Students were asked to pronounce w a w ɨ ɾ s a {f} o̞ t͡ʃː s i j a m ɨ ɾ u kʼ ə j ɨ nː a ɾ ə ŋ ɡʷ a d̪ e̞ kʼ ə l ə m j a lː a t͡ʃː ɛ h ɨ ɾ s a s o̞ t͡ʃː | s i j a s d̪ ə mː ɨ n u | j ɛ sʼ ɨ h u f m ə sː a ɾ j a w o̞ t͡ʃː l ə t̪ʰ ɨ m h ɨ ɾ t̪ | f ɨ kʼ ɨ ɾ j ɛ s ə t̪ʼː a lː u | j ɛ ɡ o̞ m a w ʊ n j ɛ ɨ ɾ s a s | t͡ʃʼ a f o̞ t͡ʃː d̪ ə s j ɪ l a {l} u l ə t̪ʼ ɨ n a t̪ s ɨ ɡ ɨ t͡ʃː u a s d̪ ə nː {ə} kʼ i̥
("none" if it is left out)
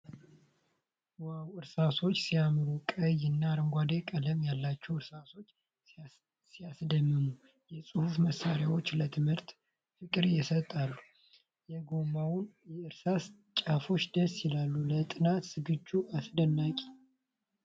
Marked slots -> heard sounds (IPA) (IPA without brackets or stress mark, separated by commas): s, lː, a